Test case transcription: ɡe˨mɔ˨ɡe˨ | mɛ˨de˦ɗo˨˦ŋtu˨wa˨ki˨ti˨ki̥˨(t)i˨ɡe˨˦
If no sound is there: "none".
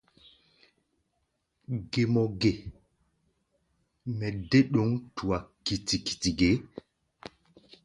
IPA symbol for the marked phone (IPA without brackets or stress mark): t